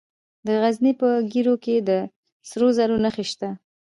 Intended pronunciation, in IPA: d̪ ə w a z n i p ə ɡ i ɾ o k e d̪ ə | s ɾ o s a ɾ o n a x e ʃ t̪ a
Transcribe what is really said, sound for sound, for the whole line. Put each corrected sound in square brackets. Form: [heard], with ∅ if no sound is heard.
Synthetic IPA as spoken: d̪ ə [ɣ] a z n i p ə ɡ i ɾ o k e d̪ ə | s ɾ o [z] a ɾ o n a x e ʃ t̪ a